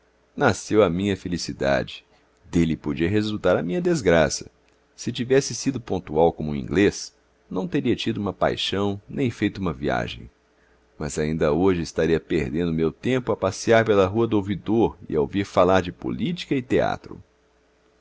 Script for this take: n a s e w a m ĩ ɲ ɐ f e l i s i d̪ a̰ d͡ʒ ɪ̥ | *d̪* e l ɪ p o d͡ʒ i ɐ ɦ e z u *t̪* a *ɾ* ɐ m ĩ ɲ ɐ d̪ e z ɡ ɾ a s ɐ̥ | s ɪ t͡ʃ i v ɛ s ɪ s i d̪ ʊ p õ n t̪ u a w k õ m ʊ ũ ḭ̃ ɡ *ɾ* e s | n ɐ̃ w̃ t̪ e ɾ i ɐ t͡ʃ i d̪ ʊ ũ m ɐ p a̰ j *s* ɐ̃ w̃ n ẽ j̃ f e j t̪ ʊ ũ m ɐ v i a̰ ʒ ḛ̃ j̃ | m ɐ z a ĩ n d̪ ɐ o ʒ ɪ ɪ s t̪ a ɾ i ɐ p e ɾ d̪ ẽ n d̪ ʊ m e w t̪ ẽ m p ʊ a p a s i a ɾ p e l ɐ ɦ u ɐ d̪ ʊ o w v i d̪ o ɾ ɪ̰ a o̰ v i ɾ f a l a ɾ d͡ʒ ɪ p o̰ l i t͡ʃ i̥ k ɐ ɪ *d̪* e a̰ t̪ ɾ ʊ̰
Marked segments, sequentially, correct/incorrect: correct, correct, correct, incorrect, incorrect, incorrect

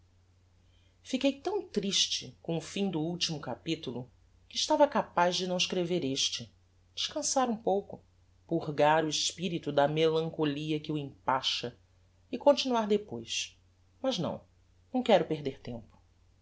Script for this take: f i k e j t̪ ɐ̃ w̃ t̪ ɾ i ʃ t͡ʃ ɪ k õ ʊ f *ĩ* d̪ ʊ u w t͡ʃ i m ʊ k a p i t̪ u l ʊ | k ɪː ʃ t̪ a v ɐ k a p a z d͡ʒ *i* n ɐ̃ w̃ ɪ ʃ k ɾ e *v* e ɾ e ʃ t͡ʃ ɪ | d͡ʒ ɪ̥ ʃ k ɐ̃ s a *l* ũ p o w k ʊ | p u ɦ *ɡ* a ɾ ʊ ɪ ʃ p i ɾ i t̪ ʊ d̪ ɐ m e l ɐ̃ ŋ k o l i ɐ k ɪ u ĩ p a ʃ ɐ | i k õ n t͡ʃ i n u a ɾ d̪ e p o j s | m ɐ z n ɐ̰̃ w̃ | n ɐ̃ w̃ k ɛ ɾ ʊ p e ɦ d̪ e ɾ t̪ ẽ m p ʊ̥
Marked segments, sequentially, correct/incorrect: correct, incorrect, correct, incorrect, correct

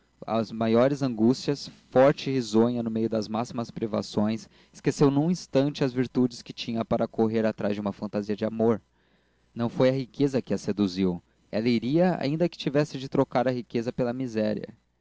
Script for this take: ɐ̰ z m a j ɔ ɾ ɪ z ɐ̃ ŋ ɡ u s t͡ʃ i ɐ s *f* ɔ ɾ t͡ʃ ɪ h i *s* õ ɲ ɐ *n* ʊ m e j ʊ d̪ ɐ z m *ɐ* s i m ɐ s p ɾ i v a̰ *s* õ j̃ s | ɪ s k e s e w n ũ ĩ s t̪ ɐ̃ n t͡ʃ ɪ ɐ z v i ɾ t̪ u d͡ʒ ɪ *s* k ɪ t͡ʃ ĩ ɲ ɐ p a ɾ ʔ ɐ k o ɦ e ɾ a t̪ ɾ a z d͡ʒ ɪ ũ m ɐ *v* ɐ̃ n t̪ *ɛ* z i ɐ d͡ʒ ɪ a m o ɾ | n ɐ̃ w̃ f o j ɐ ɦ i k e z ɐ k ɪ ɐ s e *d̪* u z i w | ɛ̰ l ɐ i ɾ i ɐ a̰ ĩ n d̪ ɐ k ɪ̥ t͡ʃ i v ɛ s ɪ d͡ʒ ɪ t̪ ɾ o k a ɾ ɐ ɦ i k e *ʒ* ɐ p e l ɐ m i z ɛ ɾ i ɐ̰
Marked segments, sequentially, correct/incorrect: correct, incorrect, correct, incorrect, correct, correct, incorrect, incorrect, correct, incorrect

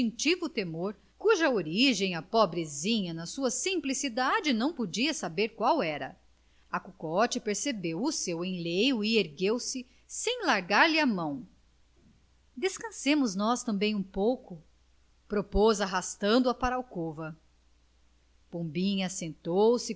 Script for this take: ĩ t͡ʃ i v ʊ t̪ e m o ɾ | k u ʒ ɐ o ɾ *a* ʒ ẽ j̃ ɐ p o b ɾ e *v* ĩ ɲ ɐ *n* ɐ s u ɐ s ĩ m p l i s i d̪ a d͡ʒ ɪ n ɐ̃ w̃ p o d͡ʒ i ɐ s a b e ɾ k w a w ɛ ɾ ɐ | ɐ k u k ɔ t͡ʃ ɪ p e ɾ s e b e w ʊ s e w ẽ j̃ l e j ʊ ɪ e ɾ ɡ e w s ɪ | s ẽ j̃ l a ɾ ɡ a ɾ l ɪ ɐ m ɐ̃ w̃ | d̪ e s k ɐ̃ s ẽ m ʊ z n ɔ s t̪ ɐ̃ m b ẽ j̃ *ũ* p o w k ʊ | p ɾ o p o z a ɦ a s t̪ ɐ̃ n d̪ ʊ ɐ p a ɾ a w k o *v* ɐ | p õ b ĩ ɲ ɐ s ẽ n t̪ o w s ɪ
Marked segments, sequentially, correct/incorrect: incorrect, incorrect, correct, correct, correct

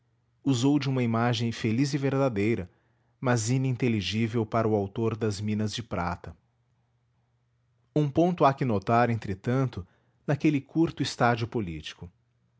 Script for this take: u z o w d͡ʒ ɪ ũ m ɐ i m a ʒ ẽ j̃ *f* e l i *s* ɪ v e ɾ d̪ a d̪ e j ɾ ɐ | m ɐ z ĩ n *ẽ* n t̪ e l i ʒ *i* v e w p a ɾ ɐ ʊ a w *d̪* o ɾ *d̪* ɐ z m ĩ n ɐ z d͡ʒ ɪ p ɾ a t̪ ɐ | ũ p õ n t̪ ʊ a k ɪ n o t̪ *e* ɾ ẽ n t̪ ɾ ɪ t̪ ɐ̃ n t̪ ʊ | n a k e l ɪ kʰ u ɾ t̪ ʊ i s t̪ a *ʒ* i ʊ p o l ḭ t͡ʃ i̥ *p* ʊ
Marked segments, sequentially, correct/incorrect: correct, incorrect, incorrect, correct, incorrect, correct, incorrect, incorrect, incorrect

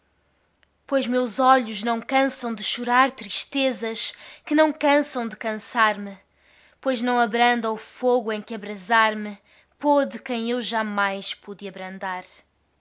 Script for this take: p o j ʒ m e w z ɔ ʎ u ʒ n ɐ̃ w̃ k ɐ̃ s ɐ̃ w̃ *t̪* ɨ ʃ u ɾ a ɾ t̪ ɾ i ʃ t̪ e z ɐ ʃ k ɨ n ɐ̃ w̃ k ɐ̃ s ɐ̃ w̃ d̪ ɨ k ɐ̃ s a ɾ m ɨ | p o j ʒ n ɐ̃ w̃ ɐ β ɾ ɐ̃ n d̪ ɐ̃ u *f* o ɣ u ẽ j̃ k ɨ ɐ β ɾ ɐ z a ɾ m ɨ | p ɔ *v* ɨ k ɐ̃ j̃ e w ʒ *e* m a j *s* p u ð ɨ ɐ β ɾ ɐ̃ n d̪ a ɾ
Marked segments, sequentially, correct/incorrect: incorrect, correct, incorrect, incorrect, incorrect

